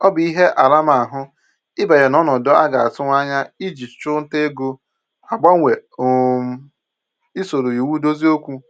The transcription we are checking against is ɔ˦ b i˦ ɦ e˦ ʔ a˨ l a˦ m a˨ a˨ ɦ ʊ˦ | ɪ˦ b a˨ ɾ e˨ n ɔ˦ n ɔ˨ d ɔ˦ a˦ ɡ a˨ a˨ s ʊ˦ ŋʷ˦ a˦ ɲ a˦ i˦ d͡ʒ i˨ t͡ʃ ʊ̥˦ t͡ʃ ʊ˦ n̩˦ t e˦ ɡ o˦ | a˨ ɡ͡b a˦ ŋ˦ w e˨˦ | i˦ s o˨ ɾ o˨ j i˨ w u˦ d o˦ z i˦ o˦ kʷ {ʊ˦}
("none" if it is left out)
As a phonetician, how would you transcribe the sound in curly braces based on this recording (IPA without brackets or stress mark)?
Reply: u˦